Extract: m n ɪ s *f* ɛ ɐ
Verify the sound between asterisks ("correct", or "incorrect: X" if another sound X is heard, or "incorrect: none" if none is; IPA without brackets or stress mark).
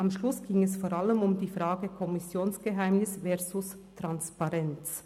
incorrect: v